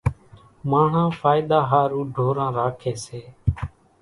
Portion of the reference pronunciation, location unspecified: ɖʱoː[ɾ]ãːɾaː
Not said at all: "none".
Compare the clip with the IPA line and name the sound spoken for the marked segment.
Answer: ɾ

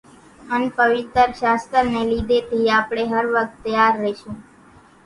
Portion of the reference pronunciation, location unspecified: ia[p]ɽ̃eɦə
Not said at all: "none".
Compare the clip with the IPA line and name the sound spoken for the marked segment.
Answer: p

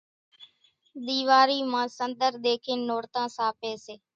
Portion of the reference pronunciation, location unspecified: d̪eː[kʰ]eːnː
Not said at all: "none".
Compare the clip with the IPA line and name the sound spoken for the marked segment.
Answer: kʰ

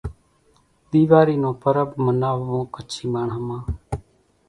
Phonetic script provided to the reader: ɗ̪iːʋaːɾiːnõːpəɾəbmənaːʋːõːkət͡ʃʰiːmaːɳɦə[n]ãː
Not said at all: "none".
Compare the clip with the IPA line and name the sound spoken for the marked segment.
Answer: m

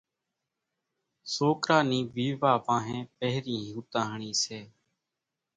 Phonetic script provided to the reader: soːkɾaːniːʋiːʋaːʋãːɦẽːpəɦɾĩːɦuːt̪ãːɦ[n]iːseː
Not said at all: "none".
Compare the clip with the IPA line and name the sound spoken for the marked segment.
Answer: ɳ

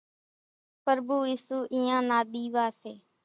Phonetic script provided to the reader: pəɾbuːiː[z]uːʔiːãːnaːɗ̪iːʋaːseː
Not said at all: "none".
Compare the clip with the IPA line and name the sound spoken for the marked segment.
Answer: s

